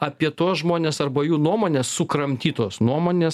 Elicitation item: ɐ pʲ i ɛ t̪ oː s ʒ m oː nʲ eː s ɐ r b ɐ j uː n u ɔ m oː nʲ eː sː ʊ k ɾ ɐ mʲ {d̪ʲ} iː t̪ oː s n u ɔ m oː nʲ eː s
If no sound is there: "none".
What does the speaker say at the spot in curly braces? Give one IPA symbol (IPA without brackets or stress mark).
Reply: t̪ʲ